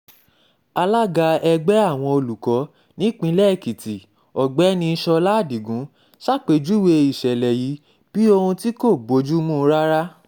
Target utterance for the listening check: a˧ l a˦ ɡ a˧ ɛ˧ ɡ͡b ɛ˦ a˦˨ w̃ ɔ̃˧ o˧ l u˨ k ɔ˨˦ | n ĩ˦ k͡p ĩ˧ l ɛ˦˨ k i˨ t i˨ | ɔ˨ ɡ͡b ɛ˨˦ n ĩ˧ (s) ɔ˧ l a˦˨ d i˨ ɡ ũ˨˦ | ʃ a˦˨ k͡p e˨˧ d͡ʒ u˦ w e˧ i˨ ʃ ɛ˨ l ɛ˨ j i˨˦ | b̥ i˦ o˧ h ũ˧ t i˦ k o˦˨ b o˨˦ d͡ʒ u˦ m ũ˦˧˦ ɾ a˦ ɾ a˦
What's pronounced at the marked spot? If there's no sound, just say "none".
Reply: ʃ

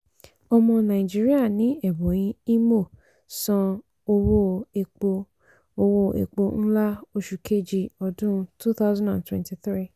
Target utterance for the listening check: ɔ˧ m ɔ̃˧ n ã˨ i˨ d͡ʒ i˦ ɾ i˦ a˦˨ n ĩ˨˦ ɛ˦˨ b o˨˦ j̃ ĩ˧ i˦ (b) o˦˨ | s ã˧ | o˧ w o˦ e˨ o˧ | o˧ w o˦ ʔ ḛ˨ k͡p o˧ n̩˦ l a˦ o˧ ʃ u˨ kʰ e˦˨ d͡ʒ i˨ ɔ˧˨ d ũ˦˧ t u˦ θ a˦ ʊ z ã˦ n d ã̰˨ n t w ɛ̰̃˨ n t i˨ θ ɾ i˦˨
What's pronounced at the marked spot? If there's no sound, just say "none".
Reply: m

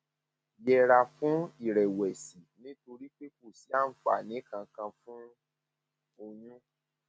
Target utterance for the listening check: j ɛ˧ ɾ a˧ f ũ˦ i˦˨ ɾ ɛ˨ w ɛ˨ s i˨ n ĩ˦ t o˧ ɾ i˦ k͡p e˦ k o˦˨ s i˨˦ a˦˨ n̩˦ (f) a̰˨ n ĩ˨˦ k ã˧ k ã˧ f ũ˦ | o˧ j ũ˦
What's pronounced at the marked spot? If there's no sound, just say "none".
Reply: f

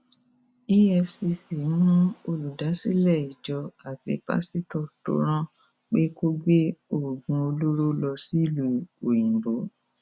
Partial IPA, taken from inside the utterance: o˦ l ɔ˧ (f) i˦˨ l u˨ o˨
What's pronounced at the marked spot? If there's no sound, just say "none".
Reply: s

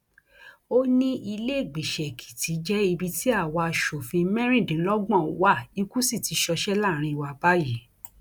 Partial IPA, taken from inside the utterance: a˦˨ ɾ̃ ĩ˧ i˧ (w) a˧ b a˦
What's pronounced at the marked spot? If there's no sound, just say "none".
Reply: w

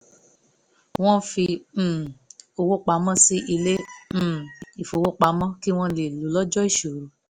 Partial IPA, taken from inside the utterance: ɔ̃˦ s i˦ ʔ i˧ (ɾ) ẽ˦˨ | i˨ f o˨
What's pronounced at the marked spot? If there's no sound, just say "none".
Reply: l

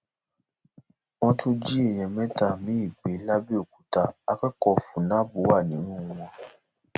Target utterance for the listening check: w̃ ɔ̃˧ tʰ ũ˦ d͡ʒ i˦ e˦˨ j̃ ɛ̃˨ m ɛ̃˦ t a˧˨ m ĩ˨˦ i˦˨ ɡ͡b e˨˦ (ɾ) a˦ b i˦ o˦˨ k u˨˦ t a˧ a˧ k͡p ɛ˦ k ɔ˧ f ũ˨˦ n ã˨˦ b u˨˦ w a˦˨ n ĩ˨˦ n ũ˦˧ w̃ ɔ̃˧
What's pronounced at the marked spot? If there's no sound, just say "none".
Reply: l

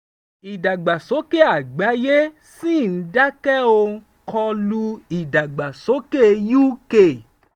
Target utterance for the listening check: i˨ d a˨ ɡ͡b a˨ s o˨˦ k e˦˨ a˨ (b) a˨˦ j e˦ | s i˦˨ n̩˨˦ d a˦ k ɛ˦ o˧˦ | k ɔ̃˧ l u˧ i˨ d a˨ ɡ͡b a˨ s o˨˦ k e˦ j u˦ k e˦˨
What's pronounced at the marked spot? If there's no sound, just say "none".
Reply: ɡ͡b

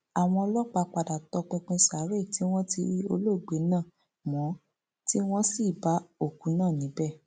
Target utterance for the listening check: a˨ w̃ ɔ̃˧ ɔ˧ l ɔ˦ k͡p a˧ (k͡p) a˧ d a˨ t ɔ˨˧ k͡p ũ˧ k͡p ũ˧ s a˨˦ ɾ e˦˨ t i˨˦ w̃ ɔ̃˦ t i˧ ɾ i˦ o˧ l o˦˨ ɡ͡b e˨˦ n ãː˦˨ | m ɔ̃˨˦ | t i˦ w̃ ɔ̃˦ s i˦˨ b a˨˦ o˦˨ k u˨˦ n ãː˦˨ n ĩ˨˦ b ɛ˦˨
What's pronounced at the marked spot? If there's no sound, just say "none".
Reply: k͡p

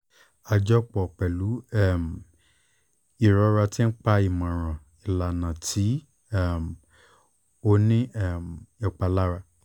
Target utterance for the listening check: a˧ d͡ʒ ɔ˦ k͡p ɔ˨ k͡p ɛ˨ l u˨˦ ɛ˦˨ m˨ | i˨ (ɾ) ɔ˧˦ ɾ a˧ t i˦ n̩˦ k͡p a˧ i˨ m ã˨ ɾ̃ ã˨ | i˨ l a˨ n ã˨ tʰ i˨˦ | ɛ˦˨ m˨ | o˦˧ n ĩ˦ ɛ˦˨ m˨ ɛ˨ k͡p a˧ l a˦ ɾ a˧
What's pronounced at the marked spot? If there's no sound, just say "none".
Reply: ɾ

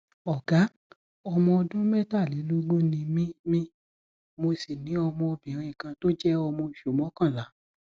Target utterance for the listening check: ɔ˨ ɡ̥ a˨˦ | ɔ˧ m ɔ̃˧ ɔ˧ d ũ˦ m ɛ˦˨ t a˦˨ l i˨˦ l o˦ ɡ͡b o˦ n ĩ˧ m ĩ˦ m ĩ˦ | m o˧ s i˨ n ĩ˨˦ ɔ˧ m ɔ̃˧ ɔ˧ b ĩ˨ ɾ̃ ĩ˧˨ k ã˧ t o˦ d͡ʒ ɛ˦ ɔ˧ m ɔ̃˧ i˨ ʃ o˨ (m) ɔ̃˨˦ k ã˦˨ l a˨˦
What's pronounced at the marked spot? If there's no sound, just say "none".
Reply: m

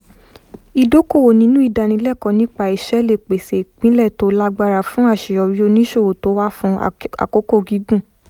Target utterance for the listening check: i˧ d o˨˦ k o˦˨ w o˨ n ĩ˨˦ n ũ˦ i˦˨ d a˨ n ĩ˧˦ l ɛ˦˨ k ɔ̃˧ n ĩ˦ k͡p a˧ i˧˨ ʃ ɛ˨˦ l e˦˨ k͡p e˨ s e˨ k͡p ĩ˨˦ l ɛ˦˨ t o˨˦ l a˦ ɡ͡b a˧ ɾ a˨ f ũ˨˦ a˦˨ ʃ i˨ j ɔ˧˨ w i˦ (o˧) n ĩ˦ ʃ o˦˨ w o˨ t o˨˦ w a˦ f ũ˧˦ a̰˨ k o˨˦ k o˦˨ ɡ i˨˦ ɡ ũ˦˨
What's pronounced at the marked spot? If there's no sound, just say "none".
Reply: o˧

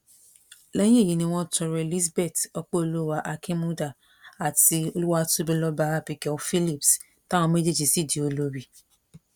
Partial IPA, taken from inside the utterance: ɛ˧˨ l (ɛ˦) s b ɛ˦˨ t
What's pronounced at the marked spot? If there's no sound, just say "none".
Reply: i˦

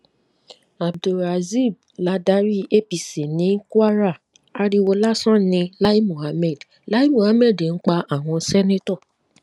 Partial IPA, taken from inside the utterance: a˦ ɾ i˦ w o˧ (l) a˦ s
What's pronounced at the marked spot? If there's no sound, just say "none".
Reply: l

